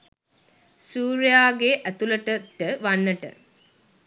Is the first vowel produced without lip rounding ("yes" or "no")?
no